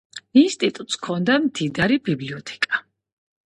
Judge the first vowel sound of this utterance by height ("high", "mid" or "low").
high